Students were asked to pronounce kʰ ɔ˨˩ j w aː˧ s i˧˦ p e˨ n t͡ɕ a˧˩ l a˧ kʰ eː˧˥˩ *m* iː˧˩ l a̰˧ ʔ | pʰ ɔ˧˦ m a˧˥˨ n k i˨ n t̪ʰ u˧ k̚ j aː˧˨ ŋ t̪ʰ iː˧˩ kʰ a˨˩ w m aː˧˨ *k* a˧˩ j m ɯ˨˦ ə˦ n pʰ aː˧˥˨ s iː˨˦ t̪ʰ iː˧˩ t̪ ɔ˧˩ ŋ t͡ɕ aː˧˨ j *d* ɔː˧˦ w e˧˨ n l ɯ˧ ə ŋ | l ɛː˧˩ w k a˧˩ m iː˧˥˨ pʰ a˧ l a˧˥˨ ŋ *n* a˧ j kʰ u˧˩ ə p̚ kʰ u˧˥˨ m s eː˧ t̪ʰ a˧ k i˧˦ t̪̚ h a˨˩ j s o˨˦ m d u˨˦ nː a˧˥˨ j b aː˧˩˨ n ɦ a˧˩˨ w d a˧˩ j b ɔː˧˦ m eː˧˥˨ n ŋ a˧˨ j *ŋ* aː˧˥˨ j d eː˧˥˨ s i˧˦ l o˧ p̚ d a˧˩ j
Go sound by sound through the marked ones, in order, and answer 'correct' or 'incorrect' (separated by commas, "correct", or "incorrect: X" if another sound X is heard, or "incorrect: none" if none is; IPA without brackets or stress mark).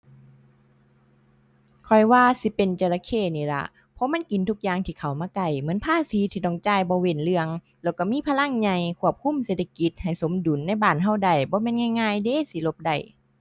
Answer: incorrect: n, correct, incorrect: b, incorrect: ɲ, correct